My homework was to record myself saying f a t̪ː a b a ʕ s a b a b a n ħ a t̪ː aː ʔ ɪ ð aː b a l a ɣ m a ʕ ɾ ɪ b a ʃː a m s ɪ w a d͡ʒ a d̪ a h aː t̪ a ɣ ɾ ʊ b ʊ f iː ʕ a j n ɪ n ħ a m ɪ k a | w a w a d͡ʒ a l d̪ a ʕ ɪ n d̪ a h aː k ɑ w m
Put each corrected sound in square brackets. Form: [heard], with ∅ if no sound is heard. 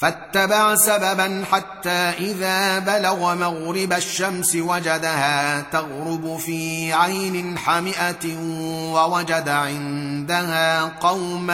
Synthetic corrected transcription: f a t̪ː a b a ʕ s a b a b a n ħ a t̪ː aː ʔ ɪ ð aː b a l a ɣ m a [ɣ] ɾ ɪ b a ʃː a m s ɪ w a d͡ʒ a d̪ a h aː t̪ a ɣ ɾ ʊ b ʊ f iː ʕ a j n ɪ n ħ a m ɪ [ʔ] a | w a w a d͡ʒ a [∅] d̪ a ʕ ɪ n d̪ a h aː [q] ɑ w m